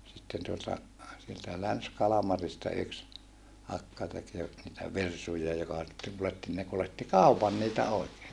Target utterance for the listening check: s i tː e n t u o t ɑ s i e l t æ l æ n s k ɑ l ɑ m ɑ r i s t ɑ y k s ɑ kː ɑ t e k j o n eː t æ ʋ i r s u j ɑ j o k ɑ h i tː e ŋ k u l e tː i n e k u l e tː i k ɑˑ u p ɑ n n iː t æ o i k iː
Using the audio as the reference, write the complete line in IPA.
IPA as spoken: s i tː e n t u o t ɑ s i e l t æ l æ n s k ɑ l ɑ m ɑ r i s t ɑ y k s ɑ kː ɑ t e k j o n iː t æ ʋ i r s u j ɑ j o k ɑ s i tː e ŋ k u l e tː i n e k u l e tː i k ɑˑ u p ɑ n n iː t æ o i k eː